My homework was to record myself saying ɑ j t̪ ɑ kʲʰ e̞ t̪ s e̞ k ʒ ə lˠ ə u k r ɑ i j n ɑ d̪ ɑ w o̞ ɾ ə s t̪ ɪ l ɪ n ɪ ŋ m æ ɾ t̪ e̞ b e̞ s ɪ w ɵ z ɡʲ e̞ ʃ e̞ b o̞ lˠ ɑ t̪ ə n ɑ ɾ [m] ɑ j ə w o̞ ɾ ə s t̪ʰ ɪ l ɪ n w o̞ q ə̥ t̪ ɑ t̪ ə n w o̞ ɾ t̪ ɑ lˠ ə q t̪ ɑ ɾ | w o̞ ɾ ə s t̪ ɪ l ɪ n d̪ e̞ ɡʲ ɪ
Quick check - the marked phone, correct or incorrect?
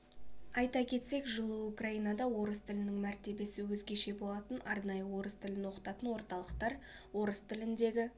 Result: incorrect